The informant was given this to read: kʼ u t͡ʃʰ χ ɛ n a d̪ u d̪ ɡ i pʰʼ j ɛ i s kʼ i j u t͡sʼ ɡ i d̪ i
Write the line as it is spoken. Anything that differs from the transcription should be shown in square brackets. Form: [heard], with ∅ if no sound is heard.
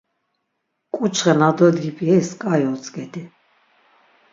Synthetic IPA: kʼ u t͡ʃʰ χ ɛ n a d̪ [ɔ] d̪ ɡ i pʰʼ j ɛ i s kʼ [a] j [ɔ] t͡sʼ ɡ [ɛ] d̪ i